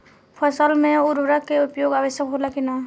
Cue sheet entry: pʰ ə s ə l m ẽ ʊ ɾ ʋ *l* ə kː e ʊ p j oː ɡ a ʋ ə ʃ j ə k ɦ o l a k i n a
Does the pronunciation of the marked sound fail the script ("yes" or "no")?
yes